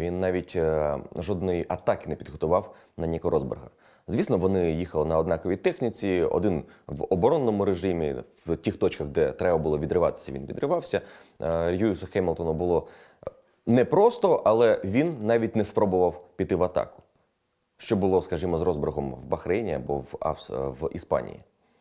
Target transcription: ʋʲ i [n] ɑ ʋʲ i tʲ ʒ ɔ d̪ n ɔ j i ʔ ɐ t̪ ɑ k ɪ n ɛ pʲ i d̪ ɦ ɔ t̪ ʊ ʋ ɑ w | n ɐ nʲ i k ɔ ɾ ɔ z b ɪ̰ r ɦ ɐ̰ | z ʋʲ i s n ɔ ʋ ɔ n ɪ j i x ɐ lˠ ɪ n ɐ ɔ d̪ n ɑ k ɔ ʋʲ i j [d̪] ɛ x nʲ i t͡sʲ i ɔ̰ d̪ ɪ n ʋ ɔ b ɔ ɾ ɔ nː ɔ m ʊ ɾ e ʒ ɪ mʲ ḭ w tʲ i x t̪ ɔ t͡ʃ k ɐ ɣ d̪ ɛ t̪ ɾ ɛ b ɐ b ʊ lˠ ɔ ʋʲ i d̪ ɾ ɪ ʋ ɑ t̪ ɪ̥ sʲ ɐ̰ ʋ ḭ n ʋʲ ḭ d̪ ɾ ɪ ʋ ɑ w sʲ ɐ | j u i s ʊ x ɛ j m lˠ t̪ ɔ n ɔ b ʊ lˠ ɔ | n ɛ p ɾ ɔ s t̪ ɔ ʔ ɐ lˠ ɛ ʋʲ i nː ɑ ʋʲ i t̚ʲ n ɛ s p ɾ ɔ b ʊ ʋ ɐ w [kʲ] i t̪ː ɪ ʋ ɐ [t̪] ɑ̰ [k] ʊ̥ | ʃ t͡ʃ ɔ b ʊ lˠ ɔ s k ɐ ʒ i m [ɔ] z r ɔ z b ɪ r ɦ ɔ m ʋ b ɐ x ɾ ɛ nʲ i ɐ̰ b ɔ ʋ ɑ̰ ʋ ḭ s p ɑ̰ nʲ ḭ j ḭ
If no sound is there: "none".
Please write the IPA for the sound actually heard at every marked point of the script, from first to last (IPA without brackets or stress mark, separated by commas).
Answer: nː, t̪, pʲ, t̪, k, ɔ